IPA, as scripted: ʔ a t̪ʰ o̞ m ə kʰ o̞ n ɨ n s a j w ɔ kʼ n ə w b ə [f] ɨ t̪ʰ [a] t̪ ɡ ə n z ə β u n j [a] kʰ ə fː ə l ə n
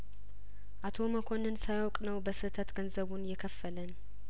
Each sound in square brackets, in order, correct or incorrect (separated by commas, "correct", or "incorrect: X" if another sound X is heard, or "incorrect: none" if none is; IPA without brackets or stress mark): incorrect: s, incorrect: ə, incorrect: ɛ